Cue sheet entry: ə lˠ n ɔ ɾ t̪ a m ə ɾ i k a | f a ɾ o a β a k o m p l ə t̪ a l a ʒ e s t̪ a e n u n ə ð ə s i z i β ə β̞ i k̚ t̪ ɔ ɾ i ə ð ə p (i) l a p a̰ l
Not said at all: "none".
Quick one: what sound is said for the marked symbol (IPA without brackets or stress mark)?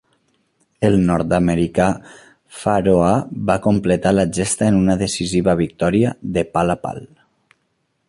a